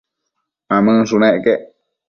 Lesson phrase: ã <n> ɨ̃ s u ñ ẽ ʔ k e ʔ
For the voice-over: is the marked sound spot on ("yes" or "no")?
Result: no